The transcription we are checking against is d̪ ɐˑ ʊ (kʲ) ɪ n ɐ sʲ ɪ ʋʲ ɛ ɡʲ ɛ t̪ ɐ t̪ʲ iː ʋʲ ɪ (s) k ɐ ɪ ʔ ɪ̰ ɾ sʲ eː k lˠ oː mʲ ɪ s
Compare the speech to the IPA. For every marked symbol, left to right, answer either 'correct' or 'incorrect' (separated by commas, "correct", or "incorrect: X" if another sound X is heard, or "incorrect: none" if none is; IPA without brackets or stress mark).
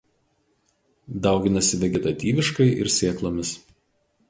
incorrect: ɡʲ, incorrect: ʃ